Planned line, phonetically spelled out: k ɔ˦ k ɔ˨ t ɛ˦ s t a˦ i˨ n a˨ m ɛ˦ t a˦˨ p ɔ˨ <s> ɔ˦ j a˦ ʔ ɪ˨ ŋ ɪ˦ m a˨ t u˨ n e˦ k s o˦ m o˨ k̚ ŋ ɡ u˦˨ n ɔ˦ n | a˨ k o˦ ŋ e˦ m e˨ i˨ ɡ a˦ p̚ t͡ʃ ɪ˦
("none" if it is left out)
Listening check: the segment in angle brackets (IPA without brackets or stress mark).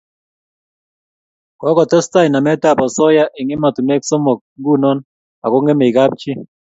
s